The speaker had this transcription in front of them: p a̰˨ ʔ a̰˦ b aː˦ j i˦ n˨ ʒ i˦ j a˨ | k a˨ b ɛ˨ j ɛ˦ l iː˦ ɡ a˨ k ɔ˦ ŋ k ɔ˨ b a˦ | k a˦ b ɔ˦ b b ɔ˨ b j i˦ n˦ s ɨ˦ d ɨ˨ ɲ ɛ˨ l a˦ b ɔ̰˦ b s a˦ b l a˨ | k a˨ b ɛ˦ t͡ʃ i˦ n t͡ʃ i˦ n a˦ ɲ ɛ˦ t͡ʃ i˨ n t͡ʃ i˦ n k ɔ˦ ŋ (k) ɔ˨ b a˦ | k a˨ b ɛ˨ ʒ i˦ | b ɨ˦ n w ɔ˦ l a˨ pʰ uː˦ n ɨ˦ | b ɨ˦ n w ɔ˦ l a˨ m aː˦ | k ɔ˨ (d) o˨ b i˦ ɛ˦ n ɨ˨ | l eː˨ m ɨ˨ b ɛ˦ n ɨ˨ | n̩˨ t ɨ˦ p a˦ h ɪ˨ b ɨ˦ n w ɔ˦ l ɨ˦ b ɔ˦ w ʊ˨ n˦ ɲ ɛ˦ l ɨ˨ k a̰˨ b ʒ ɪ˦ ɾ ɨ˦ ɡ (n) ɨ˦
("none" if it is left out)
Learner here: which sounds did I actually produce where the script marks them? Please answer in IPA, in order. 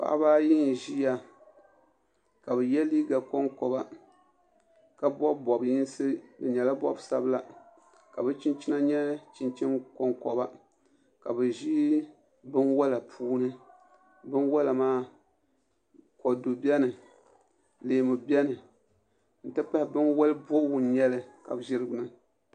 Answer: k, d, n

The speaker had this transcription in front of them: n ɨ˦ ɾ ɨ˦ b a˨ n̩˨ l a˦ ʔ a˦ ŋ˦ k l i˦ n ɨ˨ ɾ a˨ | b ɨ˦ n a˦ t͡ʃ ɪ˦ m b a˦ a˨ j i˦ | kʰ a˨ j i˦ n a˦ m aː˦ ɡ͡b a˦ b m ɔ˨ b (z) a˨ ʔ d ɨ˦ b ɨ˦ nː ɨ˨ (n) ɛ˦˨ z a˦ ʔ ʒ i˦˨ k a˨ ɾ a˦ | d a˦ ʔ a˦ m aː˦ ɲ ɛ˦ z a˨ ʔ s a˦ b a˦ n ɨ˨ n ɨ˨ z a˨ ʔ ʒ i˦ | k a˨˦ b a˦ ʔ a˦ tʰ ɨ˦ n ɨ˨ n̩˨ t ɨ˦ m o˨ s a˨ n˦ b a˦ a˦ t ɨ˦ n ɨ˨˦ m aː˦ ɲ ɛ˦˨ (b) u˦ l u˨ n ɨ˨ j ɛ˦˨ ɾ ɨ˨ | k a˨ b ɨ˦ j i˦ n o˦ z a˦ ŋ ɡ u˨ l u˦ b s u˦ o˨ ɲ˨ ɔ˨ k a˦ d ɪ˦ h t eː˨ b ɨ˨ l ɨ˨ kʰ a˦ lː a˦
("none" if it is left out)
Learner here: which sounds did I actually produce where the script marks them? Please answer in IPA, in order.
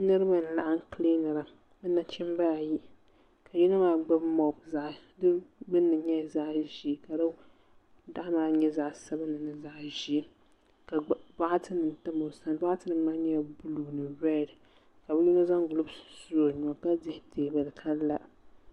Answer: z, ɲ, b

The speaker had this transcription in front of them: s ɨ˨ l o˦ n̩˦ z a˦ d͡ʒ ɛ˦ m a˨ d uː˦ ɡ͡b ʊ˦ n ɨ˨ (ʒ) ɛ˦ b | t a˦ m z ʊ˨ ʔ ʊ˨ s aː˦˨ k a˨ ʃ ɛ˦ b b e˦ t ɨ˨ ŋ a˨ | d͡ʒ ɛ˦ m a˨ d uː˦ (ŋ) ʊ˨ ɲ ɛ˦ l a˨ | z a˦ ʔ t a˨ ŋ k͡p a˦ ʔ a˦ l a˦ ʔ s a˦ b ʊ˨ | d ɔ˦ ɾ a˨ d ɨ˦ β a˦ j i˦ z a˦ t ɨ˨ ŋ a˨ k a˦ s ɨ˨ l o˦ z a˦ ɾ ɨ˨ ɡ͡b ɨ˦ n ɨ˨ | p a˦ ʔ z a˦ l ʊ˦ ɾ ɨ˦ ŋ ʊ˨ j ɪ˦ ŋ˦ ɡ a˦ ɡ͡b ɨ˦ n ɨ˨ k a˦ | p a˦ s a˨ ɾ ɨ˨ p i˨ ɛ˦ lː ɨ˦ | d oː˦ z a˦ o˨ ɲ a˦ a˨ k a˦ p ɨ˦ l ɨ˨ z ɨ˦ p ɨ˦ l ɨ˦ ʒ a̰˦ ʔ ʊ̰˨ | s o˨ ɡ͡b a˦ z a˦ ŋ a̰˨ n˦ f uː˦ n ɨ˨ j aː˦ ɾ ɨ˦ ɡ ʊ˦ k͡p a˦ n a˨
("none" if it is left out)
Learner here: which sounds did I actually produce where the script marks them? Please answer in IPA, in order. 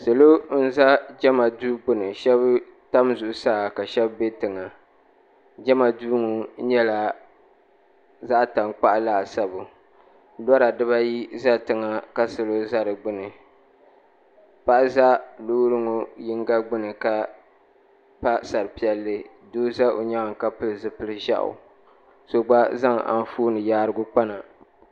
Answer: ʃ, ŋ

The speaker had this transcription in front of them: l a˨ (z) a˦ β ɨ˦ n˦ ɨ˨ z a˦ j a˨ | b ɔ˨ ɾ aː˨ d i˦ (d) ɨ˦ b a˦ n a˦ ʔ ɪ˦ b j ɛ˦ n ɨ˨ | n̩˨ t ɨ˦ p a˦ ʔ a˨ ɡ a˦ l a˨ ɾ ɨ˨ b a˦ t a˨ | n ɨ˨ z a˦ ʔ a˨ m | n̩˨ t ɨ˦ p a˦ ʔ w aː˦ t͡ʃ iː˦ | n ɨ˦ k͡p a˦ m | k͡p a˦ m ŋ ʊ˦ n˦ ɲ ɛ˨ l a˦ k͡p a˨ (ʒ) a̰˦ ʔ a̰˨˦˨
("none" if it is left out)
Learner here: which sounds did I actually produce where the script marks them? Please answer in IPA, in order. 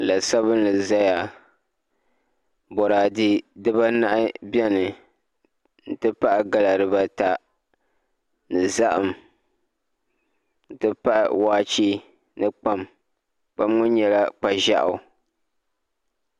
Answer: s, d, ʒ

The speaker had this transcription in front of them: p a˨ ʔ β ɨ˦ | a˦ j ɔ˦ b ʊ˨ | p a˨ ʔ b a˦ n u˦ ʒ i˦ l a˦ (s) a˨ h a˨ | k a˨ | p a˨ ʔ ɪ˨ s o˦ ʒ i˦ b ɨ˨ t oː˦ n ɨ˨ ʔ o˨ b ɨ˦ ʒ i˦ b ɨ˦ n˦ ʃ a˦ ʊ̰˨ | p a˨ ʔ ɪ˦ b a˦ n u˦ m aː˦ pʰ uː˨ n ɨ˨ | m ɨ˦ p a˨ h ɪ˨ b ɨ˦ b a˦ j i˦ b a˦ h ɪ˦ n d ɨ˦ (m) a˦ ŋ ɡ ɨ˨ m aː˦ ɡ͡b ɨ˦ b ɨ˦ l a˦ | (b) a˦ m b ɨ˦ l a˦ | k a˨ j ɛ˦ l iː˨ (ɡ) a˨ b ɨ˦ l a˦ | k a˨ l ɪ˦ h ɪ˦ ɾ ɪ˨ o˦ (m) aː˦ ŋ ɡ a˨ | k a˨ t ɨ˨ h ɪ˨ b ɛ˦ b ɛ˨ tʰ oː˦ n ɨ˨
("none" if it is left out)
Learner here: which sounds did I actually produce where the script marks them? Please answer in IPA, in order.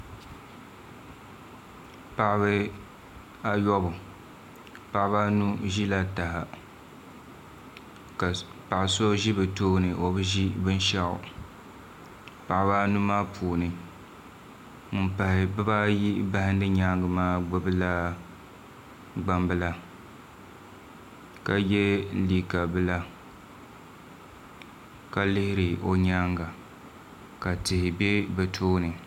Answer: t, ɲ, ɡ͡b, k, ɲ

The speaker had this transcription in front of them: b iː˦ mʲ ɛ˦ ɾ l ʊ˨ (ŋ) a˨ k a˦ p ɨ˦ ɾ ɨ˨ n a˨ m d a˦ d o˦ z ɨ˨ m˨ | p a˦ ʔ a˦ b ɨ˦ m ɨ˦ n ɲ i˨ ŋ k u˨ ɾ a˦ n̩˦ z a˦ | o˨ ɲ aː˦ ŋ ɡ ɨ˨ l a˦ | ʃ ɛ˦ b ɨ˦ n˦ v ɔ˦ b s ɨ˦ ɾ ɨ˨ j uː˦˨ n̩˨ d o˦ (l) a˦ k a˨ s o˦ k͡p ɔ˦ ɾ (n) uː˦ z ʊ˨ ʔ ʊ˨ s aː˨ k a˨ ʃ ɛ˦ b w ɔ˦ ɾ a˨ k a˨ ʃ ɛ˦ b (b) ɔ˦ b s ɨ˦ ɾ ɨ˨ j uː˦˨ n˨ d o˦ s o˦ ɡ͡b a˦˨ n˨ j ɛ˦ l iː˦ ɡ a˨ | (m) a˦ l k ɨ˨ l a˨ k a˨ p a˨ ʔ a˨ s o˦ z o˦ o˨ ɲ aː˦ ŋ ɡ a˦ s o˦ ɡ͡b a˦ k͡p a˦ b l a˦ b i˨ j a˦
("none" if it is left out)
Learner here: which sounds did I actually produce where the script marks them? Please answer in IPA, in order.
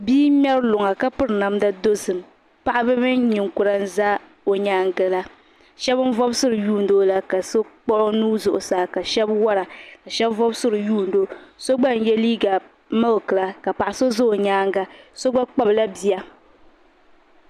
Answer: ŋ, l, n, v, m

